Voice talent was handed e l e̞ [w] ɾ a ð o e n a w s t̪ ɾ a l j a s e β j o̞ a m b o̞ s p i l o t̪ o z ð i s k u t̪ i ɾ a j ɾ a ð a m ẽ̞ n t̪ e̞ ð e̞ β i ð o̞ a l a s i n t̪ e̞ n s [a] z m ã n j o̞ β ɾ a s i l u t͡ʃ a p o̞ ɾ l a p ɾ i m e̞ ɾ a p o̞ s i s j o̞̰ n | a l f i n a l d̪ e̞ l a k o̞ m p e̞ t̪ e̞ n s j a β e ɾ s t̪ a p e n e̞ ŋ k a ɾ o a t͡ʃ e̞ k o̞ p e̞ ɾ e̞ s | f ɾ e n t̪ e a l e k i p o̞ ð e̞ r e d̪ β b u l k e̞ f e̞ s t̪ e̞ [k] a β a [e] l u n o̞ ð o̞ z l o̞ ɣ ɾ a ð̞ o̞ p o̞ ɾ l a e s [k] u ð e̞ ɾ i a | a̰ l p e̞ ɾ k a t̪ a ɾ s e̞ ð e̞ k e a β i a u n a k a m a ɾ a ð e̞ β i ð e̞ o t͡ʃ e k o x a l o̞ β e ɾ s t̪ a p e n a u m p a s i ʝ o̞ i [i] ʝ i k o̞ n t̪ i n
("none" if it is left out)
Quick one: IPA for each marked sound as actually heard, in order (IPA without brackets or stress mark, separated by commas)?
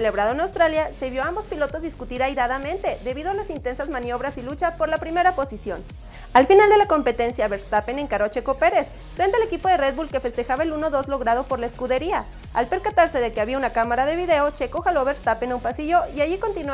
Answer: β, a, x, e, k, a